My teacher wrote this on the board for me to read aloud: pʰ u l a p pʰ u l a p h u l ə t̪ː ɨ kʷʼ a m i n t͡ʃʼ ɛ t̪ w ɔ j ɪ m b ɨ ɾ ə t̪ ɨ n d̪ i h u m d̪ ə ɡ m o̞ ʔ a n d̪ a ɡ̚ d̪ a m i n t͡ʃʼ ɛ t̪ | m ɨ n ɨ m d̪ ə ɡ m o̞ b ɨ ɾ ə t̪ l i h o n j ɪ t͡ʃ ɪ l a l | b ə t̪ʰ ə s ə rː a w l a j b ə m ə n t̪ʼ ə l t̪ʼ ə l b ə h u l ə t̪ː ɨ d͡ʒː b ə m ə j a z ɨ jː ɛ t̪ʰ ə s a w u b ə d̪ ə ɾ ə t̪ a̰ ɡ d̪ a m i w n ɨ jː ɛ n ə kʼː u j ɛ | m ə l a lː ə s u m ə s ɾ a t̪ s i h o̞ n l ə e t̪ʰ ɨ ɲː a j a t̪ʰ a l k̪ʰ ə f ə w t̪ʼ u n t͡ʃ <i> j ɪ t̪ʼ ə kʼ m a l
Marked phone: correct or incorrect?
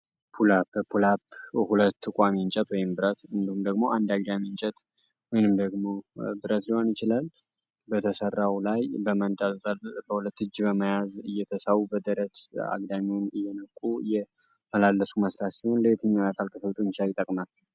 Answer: incorrect